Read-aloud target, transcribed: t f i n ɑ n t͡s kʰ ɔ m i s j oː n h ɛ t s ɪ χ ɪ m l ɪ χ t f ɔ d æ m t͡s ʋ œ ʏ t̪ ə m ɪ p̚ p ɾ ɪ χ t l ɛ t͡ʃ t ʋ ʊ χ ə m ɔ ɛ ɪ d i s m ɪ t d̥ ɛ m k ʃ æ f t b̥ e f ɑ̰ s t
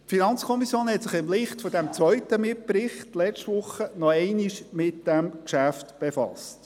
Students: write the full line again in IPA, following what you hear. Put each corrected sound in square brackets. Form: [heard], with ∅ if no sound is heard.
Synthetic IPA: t f i n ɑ n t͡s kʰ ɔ m i s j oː n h ɛ t s ɪ χ ɪ m l ɪ χ t f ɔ d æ m t͡s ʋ œ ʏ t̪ ə m ɪ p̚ p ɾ ɪ χ t l ɛ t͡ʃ t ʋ ʊ χ ə [n] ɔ ɛ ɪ [n] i [ʃ] m ɪ t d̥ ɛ m k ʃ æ f t b̥ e f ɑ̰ s t